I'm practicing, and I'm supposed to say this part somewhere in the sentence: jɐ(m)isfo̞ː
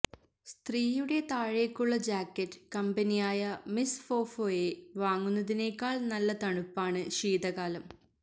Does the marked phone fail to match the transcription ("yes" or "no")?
no